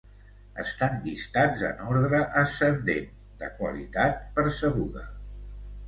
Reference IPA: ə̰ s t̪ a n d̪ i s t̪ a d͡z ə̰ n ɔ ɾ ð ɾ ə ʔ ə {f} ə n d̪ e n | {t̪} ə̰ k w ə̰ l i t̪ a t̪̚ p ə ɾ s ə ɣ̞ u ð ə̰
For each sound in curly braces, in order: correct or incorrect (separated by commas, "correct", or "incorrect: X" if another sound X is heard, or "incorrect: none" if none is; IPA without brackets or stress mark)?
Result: incorrect: s, incorrect: d̪